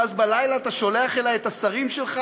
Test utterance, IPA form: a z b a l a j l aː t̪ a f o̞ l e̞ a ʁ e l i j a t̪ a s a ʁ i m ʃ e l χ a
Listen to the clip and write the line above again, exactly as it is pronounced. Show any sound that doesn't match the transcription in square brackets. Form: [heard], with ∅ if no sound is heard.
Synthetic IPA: a z b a l a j l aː t̪ a [ʃ] o̞ l e̞ a [χ] e l [a] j [e] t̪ a s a ʁ i m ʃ e l χ a